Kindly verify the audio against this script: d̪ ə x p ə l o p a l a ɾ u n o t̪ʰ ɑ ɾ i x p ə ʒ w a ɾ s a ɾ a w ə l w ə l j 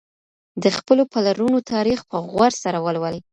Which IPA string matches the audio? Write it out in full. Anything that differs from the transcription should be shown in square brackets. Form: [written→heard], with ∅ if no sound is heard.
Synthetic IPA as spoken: d̪ ə x p ə l o p a l a ɾ u n o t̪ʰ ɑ ɾ i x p ə [ʒ→ɣ] w a ɾ s a ɾ a w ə l w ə l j